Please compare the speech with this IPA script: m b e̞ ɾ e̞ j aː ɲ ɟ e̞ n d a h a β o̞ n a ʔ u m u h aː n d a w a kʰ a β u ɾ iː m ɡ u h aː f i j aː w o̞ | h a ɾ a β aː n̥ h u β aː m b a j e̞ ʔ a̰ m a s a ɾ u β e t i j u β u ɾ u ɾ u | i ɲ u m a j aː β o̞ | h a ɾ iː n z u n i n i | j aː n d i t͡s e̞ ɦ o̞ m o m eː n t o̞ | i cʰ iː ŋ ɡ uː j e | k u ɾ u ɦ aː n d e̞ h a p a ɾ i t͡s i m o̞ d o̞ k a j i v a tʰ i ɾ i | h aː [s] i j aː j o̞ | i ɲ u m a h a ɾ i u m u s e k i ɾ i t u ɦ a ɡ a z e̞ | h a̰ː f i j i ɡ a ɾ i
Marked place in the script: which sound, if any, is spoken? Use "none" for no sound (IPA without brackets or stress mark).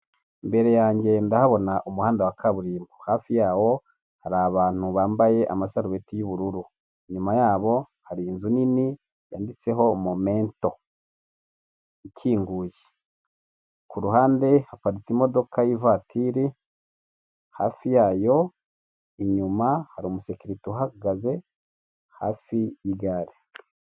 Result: f